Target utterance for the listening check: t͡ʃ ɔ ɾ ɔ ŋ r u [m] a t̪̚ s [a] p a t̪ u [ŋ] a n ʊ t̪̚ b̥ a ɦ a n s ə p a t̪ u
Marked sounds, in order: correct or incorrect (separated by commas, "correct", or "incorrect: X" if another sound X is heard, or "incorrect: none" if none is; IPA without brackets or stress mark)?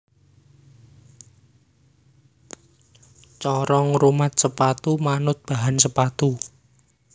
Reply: correct, incorrect: ə, incorrect: m